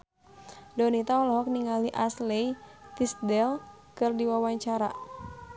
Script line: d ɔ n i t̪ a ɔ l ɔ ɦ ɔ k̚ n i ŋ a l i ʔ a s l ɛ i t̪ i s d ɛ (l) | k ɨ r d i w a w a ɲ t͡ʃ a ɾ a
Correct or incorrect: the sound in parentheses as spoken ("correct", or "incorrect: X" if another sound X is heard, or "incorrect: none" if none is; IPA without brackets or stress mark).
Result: correct